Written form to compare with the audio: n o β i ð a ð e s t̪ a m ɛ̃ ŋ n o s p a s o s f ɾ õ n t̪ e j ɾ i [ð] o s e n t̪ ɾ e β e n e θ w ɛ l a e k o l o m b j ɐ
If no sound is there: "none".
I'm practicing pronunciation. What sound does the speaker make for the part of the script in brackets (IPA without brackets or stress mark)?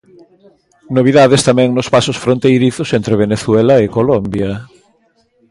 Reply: θ